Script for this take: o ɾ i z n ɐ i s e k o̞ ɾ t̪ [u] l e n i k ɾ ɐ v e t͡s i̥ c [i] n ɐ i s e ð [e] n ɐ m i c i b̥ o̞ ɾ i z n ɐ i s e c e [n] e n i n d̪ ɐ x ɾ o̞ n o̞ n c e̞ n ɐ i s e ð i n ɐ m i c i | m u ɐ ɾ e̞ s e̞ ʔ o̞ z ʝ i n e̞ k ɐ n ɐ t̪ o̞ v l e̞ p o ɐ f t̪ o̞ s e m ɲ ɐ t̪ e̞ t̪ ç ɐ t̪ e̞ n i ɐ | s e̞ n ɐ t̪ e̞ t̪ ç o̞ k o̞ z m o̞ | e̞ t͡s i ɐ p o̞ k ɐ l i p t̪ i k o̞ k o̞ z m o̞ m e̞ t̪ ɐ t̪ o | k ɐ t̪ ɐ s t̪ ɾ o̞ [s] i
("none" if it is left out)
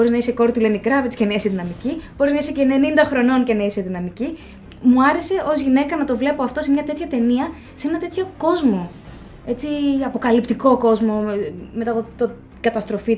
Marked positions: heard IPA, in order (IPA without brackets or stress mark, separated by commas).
u, e, i, n, f